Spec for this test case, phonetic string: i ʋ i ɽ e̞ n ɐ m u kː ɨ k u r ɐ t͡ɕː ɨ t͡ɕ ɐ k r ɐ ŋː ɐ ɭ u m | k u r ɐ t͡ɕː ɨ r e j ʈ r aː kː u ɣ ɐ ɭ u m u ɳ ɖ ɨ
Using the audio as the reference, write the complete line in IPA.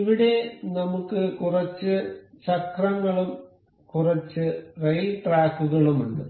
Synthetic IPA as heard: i ʋ i ɽ e̞ n ɐ m u kː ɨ k u r ɐ t͡ɕː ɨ t͡ɕ ɐ k r ɐ ŋː ɐ ɭ u m | k u r ɐ t͡ɕː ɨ r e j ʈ r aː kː u ɣ ɐ ɭ u m u ɳ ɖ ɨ

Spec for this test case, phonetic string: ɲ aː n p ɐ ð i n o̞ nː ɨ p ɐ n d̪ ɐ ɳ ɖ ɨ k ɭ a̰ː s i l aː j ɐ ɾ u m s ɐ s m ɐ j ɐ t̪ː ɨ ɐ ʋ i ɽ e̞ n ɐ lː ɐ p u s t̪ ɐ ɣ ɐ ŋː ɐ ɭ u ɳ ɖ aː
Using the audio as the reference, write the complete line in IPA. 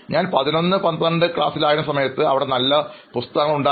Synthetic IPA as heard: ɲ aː n p ɐ ð i n o̞ nː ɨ p ɐ n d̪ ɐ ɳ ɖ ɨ k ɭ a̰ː s i l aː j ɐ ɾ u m s ɐ m ɐ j ɐ t̪ː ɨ ɐ ʋ i ɽ e̞ n ɐ lː ɐ p u s t̪ ɐ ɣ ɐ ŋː ɐ ɭ u ɳ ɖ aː

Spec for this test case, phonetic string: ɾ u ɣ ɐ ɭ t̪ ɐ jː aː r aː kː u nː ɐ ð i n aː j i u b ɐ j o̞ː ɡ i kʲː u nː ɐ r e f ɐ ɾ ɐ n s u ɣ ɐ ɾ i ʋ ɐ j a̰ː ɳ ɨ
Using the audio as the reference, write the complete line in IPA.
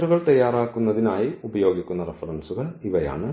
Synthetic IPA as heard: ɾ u ɣ ɐ ɭ t̪ ɐ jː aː ɾ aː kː u nː ɐ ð i n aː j i u b ɐ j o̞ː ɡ i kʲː u nː ɐ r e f ɐ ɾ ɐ n s u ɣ ɐ ɭ i ʋ ɐ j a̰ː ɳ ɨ

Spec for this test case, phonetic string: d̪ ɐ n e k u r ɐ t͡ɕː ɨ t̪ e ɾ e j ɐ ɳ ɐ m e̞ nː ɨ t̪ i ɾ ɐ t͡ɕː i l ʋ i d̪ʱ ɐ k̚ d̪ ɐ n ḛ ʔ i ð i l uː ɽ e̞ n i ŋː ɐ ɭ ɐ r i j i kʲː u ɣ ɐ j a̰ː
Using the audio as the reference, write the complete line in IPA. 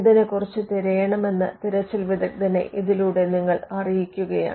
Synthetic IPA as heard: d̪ ɐ n e k u r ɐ t͡ɕː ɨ t̪ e ɾ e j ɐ ɳ ɐ m e̞ nː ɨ t̪ i ɾ ɐ t͡ɕː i l ʋ i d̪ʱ ɐ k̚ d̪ ɐ n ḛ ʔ i ð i l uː ɽ e̞ n i ŋː ɐ ɭ ɐ r i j i kʲː u ɣ ɐ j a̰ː

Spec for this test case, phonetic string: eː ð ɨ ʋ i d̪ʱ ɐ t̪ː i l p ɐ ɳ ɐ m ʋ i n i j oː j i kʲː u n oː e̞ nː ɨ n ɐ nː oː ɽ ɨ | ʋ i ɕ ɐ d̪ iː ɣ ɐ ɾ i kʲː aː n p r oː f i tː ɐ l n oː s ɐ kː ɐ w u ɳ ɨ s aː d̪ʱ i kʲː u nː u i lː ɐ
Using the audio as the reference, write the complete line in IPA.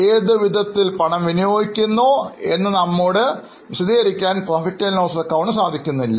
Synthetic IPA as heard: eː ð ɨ ʋ i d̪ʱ ɐ t̪ː i l p ɐ ɳ ɐ m ʋ i n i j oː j i kʲː u nː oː e̞ nː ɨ n ɐ mː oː ɽ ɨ | ʋ i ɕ ɐ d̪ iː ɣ ɐ ɾ i kʲː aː n p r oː f i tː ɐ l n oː s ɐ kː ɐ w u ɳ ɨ s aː d̪ʱ i kʲː u nː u i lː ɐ

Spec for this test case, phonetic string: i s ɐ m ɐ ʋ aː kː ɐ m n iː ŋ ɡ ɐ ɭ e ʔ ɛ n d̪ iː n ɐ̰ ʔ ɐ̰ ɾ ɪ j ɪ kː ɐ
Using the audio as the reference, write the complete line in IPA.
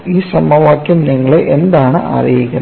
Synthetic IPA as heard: i s ɐ m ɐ ʋ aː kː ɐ m n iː ŋ ɡ ɐ ɭ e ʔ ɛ n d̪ aː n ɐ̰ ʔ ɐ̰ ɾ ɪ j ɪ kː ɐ

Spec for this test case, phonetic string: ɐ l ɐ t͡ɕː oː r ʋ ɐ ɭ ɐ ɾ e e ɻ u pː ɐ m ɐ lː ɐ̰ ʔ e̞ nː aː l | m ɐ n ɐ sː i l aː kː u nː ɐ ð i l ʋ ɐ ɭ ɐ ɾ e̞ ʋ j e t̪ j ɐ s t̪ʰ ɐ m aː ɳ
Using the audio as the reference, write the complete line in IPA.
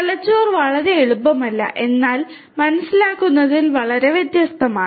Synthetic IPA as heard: ɐ l ɐ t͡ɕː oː r ʋ ɐ ɭ ɐ ɾ e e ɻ u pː ɐ m ɐ lː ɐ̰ ʔ e̞ nː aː l | m ɐ n ɐ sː i l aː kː u nː ɐ ð i l ʋ ɐ ɭ ɐ ɾ e̞ ʋ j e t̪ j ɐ s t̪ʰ ɐ m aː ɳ

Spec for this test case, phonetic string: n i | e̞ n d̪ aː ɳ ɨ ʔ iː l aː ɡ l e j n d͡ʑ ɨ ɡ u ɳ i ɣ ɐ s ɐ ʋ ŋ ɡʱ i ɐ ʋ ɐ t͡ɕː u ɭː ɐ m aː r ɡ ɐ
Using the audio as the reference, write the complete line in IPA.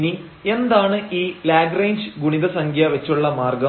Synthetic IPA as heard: n i | e̞ n d̪ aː ɳ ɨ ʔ iː l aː ɡ r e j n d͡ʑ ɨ ɡ u ɳ i ð ɐ s ɐ ŋ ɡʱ j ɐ ʋ ɐ t͡ɕː u ɭː ɐ m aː r ɡ ɐ

